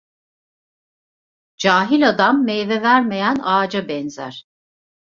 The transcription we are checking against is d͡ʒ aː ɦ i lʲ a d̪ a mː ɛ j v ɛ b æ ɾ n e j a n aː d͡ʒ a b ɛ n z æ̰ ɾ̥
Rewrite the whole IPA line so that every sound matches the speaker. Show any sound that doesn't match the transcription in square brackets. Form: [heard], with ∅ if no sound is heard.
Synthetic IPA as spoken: d͡ʒ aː ɦ i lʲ a d̪ a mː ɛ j v ɛ [v] æ ɾ [m] e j [æ] n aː d͡ʒ a b ɛ n z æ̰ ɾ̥

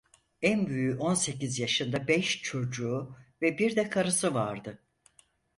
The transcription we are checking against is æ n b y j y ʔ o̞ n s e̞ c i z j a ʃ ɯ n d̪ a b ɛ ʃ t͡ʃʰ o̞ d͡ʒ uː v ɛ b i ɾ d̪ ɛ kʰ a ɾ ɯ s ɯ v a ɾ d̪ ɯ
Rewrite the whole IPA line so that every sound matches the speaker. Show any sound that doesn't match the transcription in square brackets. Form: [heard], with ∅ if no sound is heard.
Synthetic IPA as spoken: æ n b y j y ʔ o̞ n s e̞ c i z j a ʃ ɯ n d̪ a b ɛ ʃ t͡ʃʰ o̞ d͡ʒ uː v ɛ b i ɾ d̪ ɛ kʰ a ɾ ɯ s ɯ v a ɾ d̪ ɯ

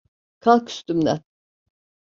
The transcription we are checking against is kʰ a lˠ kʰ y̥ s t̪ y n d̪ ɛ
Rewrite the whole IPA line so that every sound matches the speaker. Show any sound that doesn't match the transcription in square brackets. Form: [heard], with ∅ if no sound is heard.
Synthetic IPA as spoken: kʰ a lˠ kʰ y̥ s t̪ y [m] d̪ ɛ

